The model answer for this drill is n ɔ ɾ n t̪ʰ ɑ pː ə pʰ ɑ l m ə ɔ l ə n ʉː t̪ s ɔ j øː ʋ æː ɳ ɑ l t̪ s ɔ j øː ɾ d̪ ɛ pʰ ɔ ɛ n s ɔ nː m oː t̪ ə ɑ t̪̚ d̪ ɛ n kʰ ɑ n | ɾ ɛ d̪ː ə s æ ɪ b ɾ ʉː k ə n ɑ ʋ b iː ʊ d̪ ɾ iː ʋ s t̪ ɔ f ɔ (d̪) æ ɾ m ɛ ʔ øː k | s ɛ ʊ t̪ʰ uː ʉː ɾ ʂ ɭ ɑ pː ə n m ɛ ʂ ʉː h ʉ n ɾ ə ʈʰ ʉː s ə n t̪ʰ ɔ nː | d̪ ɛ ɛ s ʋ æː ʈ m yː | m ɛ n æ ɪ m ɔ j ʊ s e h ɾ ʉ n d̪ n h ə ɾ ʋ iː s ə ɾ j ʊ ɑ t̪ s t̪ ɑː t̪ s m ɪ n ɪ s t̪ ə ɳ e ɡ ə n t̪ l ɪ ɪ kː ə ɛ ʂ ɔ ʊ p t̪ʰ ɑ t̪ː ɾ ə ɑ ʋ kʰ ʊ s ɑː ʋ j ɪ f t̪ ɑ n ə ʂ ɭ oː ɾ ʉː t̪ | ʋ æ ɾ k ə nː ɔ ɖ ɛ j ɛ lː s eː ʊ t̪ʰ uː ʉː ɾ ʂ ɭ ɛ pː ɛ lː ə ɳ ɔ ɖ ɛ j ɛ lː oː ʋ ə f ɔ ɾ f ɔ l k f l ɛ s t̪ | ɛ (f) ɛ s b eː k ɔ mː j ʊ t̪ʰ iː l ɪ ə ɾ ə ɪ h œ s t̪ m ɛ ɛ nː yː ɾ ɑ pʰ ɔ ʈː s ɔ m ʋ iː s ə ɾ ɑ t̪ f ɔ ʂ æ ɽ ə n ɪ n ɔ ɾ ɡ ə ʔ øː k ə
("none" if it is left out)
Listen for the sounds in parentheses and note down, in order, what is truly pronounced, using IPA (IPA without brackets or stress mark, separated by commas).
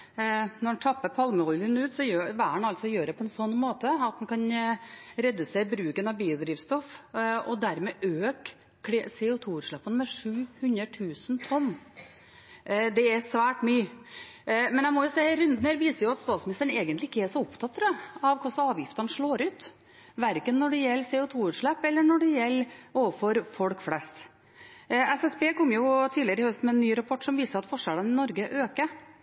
d̪, s